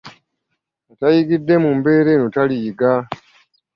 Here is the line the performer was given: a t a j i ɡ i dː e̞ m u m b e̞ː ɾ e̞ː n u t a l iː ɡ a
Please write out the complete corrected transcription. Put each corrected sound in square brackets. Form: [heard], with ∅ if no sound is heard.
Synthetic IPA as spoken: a t a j i ɡ i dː e̞ m u m b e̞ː ɾ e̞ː n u t a l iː ɡ a

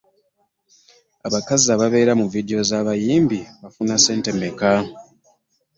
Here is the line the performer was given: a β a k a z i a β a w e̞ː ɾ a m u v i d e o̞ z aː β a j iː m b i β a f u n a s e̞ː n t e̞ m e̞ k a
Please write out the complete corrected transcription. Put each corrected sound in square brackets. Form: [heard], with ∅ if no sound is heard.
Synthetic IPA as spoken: a β a k a z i a β a [β] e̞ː ɾ a m u v i d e o̞ z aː β a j iː m b i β a f u n a s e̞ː n t e̞ m e̞ k a

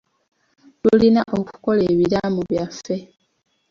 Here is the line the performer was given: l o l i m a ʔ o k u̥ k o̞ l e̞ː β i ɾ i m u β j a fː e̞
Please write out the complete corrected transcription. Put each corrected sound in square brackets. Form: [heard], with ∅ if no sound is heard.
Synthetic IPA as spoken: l [u] l i [n] a ʔ o k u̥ k o̞ l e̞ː β i ɾ [a] m u β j a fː e̞

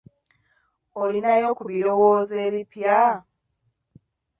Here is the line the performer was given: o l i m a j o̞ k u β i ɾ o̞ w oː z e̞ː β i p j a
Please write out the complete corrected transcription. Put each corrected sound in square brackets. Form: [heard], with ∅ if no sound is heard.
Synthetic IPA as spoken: o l i [n] a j o̞ k u β i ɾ o̞ w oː z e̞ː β i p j a

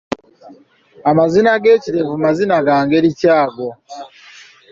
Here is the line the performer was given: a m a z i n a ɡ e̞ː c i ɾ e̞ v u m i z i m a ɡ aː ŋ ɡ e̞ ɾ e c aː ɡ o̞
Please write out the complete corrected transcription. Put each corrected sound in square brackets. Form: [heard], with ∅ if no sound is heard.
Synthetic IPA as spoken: a m a z i n a ɡ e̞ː c i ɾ e̞ v u m [a] z i [n] a ɡ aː ŋ ɡ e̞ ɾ [i] c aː ɡ o̞

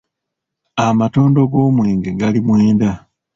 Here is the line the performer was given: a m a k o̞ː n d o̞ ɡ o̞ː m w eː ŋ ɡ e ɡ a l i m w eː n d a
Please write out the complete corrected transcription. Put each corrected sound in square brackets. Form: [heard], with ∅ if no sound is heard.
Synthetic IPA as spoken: a m a [t] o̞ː n d o̞ ɡ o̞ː m w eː ŋ ɡ e ɡ a l i m w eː n d a

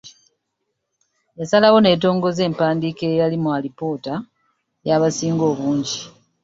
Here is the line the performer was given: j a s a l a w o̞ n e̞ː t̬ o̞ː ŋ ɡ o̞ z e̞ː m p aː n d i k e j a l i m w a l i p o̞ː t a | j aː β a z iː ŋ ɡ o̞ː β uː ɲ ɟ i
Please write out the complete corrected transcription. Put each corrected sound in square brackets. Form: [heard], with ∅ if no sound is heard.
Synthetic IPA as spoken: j a s a l a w o̞ n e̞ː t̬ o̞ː ŋ ɡ o̞ z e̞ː m p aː n d i k e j a l i m w a l i p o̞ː t a | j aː β a [s] iː ŋ ɡ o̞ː β uː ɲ ɟ i

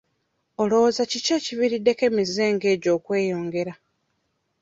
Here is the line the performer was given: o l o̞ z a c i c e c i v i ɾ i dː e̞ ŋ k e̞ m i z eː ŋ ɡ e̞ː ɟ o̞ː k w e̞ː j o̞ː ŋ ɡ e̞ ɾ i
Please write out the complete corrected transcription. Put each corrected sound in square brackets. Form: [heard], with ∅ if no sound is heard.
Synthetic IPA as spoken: o l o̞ z a c i c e c i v i ɾ i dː e̞ [∅] k e̞ m i z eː ŋ ɡ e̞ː ɟ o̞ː k w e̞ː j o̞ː ŋ ɡ e̞ ɾ [a]

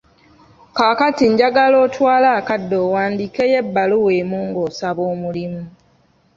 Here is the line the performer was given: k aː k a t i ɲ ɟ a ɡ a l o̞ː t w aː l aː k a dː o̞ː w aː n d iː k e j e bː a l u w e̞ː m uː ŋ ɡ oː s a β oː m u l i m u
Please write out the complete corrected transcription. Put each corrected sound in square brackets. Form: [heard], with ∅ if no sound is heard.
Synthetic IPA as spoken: k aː k a t i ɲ ɟ a ɡ a l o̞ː t w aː l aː k a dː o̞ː w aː n d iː k e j e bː a l u w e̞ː m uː ŋ ɡ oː s a β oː m u l i m u

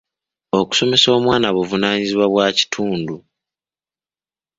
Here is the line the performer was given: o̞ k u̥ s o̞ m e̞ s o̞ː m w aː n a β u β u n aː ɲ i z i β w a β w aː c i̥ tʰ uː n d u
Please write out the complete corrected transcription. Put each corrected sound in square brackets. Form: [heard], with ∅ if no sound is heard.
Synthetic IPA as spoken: o̞ k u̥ s o̞ m e̞ s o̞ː m w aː n a β u [v] u n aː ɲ i z i β w a β w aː c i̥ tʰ uː n d u

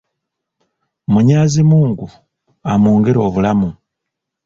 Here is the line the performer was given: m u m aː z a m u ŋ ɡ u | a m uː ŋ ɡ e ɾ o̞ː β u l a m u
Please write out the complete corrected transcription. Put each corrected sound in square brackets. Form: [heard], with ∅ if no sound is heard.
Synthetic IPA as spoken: m u [ɲ] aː z [i] m [uː] ŋ ɡ u | a m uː ŋ ɡ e ɾ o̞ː β u l a m u

